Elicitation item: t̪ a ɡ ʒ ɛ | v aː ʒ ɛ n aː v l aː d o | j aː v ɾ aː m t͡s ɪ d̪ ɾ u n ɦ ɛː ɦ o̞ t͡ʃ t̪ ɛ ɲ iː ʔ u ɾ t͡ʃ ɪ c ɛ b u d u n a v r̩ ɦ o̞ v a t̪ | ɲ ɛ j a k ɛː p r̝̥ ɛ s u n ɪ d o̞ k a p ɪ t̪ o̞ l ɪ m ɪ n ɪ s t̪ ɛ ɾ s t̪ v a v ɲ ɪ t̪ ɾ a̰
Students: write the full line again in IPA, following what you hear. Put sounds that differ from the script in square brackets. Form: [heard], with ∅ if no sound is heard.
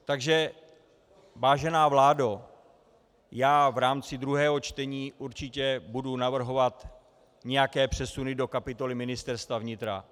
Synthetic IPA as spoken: t̪ a ɡ ʒ ɛ | v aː ʒ ɛ n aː v l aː d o | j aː v ɾ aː m t͡s ɪ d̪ ɾ u [∅] ɦ ɛː ɦ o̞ t͡ʃ t̪ ɛ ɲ iː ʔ u ɾ t͡ʃ ɪ c ɛ b u d u n a v r̩ ɦ o̞ v a t̪ | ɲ ɛ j a k ɛː p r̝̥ ɛ s u n ɪ d o̞ k a p ɪ t̪ o̞ l ɪ m ɪ n ɪ s t̪ ɛ ɾ s t̪ v a v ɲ ɪ t̪ ɾ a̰